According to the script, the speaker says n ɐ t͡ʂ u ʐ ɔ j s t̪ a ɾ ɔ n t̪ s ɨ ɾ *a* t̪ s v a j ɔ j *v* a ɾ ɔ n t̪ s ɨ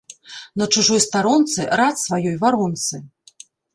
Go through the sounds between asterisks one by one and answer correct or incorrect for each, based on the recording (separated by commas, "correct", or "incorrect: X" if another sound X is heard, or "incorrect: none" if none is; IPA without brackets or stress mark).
correct, correct